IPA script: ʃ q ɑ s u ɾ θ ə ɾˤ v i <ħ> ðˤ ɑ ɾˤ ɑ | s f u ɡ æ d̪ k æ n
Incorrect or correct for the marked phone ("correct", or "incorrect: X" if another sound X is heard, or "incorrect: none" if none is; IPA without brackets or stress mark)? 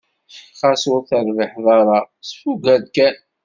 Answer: correct